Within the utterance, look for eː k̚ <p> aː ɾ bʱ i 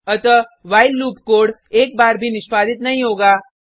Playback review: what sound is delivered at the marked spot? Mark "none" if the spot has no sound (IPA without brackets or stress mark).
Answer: b